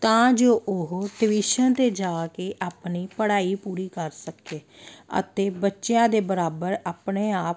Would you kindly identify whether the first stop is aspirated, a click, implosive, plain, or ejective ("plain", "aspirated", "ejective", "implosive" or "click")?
plain